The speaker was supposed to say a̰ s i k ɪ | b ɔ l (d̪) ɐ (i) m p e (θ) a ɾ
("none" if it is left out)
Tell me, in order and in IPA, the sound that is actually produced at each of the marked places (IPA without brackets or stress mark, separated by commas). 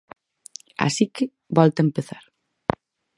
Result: t̪, e, θ